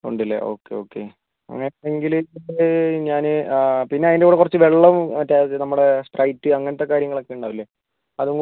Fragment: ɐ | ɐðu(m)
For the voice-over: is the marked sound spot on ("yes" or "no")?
no